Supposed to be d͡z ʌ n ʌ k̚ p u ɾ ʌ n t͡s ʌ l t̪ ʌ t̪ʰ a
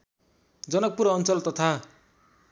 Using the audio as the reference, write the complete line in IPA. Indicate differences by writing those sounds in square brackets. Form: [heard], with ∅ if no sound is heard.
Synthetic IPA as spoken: d͡z ʌ n ʌ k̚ p u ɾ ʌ n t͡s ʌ l t̪ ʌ t̪ʰ a

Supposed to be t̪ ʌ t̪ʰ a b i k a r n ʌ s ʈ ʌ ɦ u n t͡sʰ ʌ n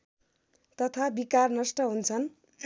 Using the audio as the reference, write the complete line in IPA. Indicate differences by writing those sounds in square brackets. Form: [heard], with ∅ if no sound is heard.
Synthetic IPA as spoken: t̪ ʌ t̪ʰ a b i k a r n ʌ s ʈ ʌ ɦ u n t͡sʰ ʌ n

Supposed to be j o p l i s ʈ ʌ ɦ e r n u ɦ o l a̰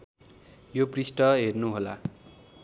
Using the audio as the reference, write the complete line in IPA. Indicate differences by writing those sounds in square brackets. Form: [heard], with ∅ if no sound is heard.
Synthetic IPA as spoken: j o p [r] i s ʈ ʌ ɦ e r n u ɦ o l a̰

